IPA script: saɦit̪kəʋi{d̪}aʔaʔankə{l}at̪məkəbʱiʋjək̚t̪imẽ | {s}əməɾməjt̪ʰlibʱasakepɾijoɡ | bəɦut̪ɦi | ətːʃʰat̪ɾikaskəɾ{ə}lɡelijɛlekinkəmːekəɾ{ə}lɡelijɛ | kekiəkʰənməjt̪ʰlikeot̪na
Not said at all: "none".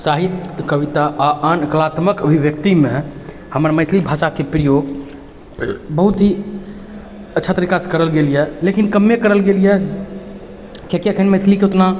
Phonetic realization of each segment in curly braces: t̪, l, h, ə, ə

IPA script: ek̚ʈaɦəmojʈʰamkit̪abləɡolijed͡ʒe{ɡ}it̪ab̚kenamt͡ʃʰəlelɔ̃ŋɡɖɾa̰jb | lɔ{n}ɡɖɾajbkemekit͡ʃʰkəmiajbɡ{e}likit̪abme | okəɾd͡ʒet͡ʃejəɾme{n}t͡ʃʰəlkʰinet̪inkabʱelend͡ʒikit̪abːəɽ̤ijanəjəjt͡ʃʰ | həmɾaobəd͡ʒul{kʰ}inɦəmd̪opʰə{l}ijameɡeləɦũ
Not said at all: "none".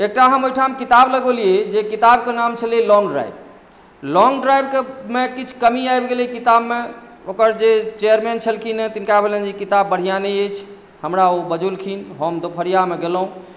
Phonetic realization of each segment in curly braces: k, ŋ, e, n, kʰ, ɾ

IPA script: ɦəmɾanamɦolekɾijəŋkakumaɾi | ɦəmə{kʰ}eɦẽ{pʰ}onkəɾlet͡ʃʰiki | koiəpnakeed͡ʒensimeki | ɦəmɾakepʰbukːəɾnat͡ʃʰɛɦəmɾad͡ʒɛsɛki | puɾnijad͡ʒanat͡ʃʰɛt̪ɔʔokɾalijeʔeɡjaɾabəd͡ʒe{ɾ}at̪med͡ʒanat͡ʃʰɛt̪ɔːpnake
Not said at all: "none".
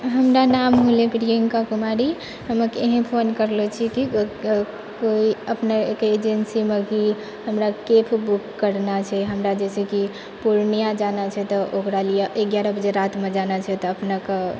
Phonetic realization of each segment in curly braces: k, pʰ, ɾ

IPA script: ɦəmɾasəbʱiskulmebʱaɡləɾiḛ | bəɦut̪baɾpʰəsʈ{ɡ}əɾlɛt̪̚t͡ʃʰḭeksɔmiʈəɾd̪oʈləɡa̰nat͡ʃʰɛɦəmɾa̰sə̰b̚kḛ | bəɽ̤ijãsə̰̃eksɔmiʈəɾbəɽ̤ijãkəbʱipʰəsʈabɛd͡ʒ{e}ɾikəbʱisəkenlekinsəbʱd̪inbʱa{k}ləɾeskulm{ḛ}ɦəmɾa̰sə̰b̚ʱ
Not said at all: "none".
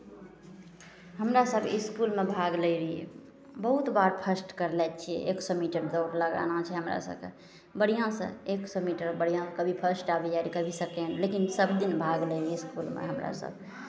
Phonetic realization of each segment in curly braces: k, a, ɡ, ḛ

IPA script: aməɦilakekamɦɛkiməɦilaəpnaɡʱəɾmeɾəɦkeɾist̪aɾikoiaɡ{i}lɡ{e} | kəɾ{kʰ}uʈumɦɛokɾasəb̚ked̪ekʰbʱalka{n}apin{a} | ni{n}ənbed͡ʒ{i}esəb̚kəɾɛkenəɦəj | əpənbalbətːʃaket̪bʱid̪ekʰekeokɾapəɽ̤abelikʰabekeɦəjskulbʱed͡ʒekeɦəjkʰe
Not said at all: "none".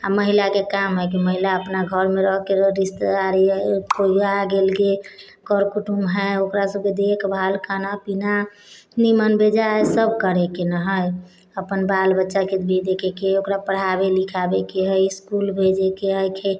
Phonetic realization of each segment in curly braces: e, e, k, n, a, m, a

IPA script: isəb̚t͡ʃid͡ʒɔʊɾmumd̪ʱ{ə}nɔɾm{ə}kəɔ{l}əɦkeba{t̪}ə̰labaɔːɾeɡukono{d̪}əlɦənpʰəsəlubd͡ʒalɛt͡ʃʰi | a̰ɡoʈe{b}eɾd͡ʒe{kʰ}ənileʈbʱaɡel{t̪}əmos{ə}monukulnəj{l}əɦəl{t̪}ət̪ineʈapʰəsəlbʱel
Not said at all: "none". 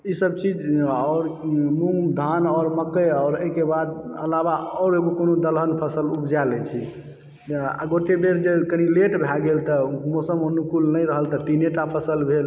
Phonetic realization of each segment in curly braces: a, ə, ɾ, d̪, d̪, b, k, t̪, ə, ɾ, t̪

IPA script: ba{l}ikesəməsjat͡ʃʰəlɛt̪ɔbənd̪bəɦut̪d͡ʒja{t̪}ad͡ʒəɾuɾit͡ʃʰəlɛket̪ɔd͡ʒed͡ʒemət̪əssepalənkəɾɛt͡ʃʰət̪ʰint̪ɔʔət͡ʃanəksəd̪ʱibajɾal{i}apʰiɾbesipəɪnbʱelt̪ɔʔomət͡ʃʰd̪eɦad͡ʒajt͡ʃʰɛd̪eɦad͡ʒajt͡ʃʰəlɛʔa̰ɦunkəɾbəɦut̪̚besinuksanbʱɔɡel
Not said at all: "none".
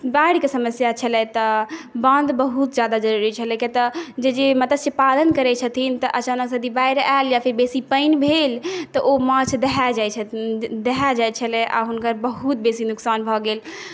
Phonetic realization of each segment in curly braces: ɽ, d̪, j

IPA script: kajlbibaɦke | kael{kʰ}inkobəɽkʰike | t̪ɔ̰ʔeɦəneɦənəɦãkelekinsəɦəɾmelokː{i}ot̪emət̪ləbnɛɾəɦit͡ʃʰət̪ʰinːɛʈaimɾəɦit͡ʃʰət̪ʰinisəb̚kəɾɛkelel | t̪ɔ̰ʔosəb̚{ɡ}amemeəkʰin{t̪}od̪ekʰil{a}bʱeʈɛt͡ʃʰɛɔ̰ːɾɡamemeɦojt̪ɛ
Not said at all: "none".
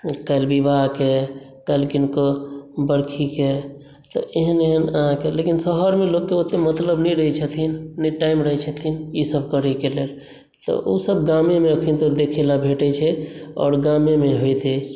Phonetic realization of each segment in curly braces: k, e, ɡ, t̪, a

